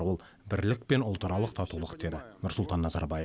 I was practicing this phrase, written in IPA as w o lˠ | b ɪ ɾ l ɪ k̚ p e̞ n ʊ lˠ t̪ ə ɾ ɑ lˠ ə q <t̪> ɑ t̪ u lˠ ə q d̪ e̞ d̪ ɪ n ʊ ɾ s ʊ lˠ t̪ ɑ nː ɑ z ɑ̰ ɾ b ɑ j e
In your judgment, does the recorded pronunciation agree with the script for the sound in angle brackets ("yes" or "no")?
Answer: no